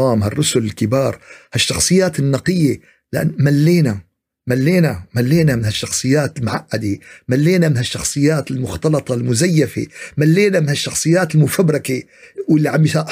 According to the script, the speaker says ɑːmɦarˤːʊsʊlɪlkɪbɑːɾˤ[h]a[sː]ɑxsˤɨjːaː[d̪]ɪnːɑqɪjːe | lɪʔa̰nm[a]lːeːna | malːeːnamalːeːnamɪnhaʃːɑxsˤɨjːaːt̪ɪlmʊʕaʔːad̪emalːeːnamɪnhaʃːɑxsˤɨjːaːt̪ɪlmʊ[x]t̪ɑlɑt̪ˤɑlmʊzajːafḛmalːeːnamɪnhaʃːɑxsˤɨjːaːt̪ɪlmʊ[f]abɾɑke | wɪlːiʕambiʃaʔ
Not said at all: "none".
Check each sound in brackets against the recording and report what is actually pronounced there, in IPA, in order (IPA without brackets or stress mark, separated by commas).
h, ʃː, t̪, a, x, f